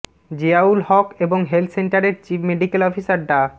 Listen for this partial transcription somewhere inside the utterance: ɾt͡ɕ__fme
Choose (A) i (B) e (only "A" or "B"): A